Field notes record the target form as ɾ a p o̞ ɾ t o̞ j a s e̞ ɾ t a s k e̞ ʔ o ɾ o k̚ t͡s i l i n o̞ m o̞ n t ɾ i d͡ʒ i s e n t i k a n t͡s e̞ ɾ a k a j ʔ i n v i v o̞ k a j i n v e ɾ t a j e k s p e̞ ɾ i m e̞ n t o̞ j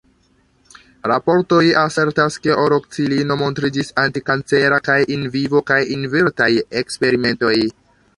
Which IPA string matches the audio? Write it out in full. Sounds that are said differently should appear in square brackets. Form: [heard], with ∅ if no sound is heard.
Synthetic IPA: ɾ a p o̞ ɾ t o̞ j a s e̞ ɾ t a s k e̞ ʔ o ɾ o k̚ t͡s i l i n o̞ m o̞ n t ɾ i d͡ʒ i s [a] n t i k a n t͡s e̞ ɾ a k a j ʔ i n v i v o̞ k a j i n v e ɾ t a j e k s p e̞ ɾ i m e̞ n t o̞ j